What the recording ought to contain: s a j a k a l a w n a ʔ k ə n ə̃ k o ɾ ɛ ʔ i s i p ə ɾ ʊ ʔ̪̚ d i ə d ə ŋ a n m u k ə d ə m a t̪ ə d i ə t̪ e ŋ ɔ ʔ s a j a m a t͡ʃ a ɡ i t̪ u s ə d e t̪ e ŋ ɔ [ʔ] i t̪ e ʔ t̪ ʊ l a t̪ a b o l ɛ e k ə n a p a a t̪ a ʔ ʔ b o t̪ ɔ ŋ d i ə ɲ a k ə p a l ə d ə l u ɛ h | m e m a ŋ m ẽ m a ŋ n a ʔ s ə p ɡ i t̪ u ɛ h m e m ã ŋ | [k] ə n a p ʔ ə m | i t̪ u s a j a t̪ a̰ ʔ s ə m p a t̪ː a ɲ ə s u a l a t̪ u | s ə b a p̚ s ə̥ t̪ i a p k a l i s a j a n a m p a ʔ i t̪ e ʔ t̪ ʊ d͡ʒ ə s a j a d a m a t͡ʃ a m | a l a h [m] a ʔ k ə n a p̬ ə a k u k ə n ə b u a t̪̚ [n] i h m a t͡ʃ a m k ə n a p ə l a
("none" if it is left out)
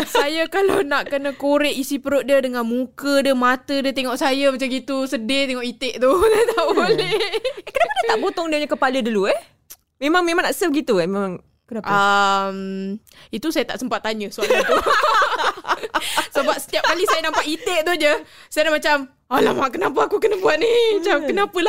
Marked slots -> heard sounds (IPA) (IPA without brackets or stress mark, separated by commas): ʔ, k, m, n